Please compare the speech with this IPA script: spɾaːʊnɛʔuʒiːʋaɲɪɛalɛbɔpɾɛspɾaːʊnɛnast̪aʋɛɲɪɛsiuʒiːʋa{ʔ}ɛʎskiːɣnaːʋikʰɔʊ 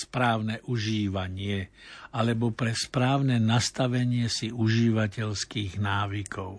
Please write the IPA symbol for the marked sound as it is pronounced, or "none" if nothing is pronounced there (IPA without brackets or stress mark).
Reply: c